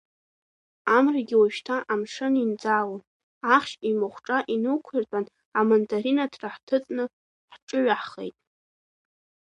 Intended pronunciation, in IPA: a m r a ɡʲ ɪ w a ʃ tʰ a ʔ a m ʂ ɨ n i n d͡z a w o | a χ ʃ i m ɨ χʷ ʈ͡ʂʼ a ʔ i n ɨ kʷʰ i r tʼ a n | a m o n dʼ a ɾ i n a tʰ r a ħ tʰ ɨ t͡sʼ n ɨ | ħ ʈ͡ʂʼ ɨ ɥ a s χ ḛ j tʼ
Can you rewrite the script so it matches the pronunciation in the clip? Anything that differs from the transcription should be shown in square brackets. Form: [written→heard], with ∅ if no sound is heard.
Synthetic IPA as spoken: a m r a ɡʲ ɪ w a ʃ tʰ a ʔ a m ʂ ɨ n i n d͡z a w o | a χ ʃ i m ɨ χʷ ʈ͡ʂʼ a ʔ i n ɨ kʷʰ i r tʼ a n | a m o n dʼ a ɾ i n a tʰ r a ħ tʰ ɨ t͡sʼ n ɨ | ħ ʈ͡ʂʼ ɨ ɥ a [s→ħ] χ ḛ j tʼ